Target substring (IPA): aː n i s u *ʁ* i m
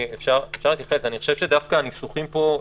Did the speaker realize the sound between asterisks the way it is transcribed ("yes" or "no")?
no